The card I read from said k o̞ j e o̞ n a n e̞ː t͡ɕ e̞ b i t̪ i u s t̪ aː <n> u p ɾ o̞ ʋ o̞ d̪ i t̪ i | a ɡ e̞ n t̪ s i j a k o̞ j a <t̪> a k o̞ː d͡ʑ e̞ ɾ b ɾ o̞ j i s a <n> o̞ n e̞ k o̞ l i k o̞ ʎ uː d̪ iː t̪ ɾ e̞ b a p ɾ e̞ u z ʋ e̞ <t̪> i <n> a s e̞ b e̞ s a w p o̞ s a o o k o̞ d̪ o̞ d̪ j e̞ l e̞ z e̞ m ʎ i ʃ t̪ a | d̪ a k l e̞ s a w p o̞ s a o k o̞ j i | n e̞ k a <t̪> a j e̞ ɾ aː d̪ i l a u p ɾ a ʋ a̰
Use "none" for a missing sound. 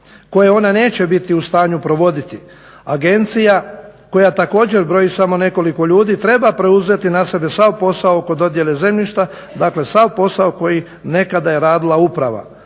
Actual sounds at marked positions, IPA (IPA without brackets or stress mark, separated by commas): ɲ, t̪, m, t̪, n, d̪